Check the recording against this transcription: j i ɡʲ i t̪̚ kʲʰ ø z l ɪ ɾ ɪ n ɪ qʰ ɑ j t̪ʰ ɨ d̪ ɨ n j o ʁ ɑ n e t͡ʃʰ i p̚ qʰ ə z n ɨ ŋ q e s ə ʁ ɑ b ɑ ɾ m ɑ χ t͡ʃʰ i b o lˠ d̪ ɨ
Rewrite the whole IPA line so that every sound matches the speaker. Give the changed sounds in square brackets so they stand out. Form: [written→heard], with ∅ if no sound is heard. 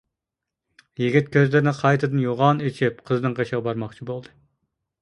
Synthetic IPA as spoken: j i ɡʲ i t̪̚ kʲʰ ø z l ɪ ɾ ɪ n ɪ qʰ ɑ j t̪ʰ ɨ d̪ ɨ n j o ʁ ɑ n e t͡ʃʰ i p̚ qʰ ə z n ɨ ŋ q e [s→ʃ] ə ʁ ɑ b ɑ ɾ m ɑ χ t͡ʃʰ i b o lˠ d̪ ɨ